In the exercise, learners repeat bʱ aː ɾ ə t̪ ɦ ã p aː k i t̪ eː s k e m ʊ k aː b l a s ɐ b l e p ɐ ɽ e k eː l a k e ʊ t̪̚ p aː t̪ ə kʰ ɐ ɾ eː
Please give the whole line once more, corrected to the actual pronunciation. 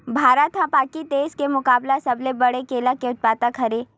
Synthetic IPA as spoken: bʱ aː ɾ ə t̪ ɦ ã p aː k i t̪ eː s k e m ʊ k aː b l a s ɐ b l e b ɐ ɽ e k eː l a k e ʊ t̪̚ p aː t̪ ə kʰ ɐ ɾ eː